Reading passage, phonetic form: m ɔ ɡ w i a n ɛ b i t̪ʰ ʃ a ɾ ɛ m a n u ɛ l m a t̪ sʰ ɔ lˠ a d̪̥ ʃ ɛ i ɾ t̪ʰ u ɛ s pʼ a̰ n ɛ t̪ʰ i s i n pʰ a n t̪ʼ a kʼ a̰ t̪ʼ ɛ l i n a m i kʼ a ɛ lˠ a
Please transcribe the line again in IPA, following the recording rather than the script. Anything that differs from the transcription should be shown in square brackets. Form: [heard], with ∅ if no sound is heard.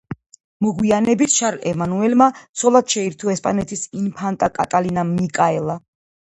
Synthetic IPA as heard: m ɔ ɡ w i a n ɛ b i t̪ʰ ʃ a ɾ ɛ m a n u ɛ l m a t̪ sʰ ɔ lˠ a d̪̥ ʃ ɛ i ɾ t̪ʰ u ɛ s pʼ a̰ n ɛ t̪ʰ i s i n pʰ a n t̪ʼ a kʼ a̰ t̪ʼ [a] l i n a m i kʼ a ɛ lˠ a